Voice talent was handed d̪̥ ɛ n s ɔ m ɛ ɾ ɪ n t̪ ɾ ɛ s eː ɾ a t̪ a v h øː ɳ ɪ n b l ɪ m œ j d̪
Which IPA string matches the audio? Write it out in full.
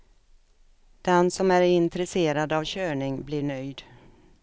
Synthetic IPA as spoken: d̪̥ ɛ n s ɔ m æ ɾ ɪ n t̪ ɾ ɛ s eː ɾ a d̪ a v ɕ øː ɳ ɪ ŋ b l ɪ ɳ œ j d̪